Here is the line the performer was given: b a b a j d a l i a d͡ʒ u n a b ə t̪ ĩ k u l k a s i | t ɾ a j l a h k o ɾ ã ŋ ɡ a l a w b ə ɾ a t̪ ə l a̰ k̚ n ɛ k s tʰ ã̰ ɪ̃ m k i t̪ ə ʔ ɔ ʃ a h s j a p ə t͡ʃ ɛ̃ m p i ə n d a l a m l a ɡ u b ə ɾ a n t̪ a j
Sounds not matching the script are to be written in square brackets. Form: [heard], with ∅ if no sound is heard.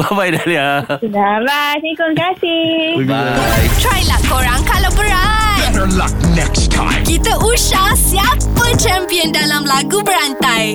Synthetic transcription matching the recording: b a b a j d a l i a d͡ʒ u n a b [a] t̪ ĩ k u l k a s i | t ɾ a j l a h k o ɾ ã ŋ [k] a l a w b ə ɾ a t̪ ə l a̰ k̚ n ɛ k s tʰ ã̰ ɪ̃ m k i t̪ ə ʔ [u] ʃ a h s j a p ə t͡ʃ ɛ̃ m p i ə n d a l a m l a ɡ u b ə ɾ a n t̪ a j